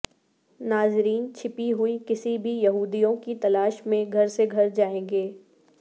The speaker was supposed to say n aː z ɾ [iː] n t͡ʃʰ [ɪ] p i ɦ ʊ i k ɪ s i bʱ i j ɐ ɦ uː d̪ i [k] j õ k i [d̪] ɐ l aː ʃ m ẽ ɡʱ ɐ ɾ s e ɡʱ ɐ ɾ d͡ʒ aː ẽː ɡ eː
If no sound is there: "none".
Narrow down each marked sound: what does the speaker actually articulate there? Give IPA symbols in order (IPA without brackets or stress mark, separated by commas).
iː, ɪ, none, t̪